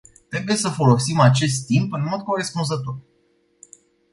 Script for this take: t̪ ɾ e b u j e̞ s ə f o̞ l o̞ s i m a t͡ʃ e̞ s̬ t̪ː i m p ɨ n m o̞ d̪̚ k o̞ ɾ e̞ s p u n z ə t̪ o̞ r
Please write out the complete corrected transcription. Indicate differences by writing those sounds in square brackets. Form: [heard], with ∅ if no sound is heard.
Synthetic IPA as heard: t̪ ɾ e b u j e̞ s ə f o̞ l o̞ s i m a t͡ʃ e̞ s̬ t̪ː i m p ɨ n m o̞ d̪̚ k o̞ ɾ e̞ s p u n z ə t̪ o̞ r